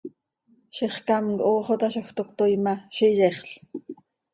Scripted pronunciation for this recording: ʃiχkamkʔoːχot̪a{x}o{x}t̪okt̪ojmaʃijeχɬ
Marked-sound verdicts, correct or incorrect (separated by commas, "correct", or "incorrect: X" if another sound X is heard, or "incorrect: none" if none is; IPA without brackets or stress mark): incorrect: ʃ, correct